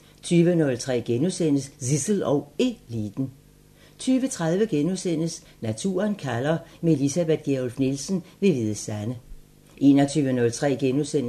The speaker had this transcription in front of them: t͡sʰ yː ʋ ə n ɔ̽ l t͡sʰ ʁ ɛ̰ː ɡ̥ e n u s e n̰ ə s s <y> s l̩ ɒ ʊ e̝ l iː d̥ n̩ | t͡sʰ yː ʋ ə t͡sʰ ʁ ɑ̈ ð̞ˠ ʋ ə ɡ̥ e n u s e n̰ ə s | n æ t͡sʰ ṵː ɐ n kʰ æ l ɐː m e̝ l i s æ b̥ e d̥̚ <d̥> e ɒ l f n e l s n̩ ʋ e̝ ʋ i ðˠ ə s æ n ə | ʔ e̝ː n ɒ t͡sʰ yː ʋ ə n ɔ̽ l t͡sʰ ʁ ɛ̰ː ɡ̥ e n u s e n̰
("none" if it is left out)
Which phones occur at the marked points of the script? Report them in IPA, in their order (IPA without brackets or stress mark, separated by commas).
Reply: i, ɡ̥